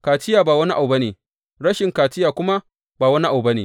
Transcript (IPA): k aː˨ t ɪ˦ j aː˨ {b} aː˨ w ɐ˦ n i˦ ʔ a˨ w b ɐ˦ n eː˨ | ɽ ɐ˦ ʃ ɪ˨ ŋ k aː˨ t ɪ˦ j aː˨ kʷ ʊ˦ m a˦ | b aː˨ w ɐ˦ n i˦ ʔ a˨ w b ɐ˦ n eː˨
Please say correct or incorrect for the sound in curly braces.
correct